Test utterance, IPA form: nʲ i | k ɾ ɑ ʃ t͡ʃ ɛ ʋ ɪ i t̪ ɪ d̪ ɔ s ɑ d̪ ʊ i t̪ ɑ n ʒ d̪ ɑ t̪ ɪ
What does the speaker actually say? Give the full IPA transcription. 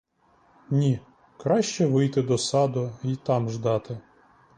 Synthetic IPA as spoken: nʲ i | k ɾ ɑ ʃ t͡ʃ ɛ ʋ ɪ j t̪ ɪ d̪ ɔ s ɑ d̪ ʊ i t̪ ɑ m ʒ d̪ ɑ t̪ ɪ